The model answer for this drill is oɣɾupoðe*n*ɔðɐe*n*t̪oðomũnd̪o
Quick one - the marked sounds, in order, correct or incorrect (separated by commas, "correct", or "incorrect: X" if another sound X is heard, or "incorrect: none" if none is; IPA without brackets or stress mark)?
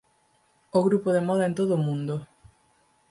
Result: incorrect: m, correct